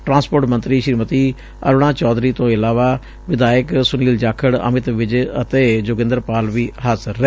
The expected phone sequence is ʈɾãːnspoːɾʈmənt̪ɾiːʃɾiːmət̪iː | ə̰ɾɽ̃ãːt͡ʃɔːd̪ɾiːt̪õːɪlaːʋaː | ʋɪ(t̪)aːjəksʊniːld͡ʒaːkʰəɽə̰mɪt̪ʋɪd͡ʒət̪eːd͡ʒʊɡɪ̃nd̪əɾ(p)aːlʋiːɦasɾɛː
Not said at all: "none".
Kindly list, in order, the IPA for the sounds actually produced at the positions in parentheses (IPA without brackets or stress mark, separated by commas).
d̪, p